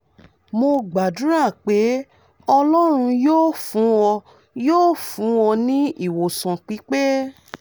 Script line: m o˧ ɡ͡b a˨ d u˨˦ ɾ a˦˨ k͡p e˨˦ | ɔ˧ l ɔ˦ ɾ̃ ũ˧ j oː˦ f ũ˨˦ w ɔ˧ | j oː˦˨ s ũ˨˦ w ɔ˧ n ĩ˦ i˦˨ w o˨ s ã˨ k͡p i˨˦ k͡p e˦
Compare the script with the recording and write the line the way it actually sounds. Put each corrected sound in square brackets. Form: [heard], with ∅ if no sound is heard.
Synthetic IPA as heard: m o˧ ɡ͡b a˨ d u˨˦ ɾ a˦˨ k͡p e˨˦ | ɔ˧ l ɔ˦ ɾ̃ ũ˧ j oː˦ f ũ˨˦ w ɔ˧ | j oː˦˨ [f] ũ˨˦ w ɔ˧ n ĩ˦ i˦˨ w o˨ s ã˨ k͡p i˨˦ k͡p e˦